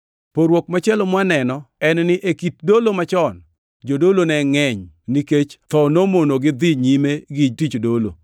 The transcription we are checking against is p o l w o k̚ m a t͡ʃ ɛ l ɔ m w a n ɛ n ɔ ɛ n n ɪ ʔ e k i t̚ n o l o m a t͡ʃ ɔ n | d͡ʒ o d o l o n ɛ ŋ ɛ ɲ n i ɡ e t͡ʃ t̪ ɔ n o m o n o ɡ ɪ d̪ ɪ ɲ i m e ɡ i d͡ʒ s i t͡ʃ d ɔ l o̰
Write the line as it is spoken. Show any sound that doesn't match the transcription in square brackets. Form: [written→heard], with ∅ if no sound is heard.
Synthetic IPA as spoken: p o [l→ɾ] w o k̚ m a t͡ʃ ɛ l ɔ m w a n ɛ n ɔ ɛ n n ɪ ʔ e k i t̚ [n→d] o l o m a t͡ʃ ɔ n | d͡ʒ o d o l o n ɛ ŋ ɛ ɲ n i [ɡ→k] e t͡ʃ t̪ ɔ n o m o n o ɡ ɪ d̪ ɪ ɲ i m e ɡ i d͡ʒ [s→t] i t͡ʃ d [ɔ→o] l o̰